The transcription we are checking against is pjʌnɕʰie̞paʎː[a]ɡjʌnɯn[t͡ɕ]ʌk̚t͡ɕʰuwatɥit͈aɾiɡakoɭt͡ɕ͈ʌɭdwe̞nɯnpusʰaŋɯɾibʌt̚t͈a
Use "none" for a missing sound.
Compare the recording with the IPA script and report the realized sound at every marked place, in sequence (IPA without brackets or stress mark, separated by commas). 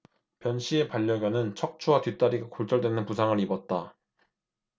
ʌ, t͡ɕʰ